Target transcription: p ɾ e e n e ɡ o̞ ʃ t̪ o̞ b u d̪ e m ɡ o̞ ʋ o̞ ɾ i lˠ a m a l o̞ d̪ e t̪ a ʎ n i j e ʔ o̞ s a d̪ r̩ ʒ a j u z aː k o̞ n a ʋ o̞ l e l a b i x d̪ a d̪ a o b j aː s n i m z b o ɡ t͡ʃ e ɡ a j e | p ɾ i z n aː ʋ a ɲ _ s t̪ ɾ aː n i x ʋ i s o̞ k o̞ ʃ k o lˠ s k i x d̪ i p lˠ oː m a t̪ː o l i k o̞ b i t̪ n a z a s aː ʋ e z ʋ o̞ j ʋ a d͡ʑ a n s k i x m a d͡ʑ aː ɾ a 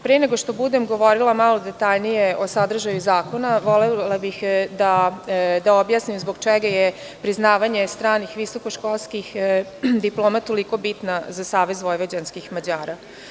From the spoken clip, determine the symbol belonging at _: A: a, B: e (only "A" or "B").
B